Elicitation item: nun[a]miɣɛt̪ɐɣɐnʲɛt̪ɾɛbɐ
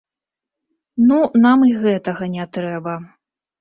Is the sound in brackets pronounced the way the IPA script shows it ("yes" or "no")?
yes